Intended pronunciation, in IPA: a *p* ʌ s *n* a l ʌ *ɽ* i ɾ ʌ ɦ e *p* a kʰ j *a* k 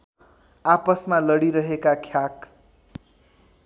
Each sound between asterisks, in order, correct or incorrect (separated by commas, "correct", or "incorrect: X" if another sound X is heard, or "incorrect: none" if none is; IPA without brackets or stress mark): correct, incorrect: m, correct, incorrect: k, correct